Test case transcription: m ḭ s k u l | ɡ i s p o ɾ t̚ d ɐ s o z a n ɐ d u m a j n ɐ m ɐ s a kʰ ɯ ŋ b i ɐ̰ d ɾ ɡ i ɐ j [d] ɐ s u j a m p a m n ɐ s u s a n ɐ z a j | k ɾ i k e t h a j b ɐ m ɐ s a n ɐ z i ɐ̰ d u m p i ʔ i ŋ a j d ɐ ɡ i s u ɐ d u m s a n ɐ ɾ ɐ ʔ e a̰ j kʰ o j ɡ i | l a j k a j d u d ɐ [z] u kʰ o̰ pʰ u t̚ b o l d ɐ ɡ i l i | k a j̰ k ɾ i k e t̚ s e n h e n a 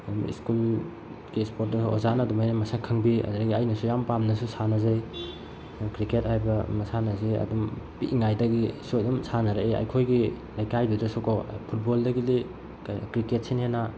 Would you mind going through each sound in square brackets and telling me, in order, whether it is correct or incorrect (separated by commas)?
incorrect, incorrect